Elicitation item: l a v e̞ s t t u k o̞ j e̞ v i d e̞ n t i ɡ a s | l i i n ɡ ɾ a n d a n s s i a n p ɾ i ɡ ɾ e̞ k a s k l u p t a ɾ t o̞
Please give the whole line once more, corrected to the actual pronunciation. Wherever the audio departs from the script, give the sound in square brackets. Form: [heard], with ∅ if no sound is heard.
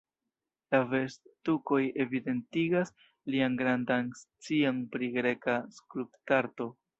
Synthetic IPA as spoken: l a v e̞ s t t u k o̞ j e̞ v i d e̞ n t i ɡ a s | l i [a] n ɡ ɾ a n d a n s [t͡s] i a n p ɾ i ɡ ɾ e̞ k a s k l u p t a ɾ t o̞